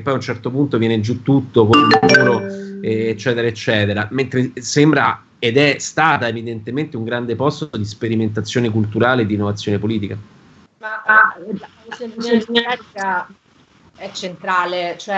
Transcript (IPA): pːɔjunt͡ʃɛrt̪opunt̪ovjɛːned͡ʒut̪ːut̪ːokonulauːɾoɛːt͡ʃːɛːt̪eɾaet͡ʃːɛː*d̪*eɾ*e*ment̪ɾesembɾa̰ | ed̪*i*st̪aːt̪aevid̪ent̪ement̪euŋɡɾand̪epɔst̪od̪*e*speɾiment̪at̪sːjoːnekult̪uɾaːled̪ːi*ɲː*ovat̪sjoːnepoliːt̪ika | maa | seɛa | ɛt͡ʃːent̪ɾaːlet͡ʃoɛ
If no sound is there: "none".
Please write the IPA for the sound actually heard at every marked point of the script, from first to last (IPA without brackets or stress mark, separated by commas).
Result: t̪, a, ɛ, i, nː